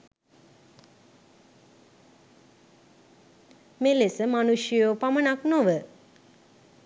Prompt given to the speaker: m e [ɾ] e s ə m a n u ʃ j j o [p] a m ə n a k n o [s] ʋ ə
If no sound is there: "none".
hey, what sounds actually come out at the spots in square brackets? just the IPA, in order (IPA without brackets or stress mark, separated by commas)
l, p, none